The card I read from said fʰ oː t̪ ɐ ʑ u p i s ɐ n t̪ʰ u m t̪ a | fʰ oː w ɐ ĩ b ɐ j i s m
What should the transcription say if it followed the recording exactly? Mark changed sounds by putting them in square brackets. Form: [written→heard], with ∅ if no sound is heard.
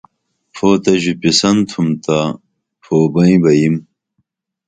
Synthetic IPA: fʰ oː t̪ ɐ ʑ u p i s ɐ n t̪ʰ u m t̪ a | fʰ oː [w→b] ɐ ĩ b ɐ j i [s→∅] m